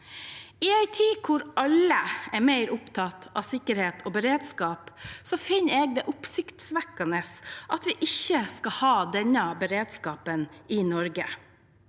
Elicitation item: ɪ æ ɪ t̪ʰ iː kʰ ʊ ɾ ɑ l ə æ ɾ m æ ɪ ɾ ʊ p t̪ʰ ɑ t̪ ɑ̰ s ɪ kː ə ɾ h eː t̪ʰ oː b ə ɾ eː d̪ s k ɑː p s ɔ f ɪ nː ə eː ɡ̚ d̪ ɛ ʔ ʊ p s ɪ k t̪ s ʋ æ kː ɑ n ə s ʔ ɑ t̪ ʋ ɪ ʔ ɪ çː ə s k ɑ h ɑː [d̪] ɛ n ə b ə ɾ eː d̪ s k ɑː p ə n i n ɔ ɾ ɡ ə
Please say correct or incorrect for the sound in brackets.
correct